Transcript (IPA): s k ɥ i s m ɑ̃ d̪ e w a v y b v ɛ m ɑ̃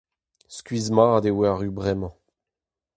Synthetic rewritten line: s k ɥ i z m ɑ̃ d̪ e w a ʁ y b ʁ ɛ m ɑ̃